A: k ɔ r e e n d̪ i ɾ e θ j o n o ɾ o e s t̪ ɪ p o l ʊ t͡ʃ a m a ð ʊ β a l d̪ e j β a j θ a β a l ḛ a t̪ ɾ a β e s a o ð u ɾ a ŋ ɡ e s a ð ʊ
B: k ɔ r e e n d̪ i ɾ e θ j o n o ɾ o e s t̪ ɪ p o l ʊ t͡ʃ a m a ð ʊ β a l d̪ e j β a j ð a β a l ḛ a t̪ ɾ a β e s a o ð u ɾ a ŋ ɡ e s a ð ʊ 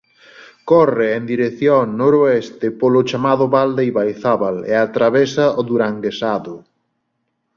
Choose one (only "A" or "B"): A